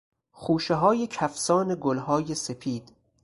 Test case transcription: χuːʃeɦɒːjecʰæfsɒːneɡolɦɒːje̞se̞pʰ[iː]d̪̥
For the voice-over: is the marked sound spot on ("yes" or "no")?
yes